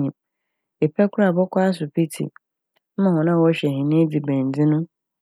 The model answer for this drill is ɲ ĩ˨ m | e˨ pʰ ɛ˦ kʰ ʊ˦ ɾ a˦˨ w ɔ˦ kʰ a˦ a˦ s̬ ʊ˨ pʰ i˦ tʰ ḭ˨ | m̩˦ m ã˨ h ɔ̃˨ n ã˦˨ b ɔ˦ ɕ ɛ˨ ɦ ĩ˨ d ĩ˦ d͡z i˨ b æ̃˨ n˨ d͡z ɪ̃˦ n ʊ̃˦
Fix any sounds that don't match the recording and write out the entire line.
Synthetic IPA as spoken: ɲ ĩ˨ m | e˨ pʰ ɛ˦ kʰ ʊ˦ ɾ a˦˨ b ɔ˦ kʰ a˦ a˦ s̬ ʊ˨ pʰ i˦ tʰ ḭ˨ | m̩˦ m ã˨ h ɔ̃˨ n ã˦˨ w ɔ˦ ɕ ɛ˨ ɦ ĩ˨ n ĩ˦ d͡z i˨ b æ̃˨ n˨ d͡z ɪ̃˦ n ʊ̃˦